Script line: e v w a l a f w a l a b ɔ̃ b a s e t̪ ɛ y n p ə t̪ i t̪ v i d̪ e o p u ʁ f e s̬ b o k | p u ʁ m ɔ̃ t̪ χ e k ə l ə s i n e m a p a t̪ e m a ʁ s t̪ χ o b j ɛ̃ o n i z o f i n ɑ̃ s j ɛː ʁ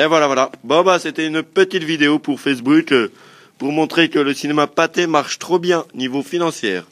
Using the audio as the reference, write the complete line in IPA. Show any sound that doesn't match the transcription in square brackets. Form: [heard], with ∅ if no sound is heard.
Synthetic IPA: e v w a l a [v] w a l a b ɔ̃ b a s e t̪ ɛ y n p ə t̪ i t̪ v i d̪ e o p u ʁ f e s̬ b [u] k | p u ʁ m ɔ̃ t̪ χ e k ə l ə s i n e m a p a t̪ e m a ʁ [ʃ] t̪ χ o b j ɛ̃ o n i [v] o f i n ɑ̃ s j ɛː ʁ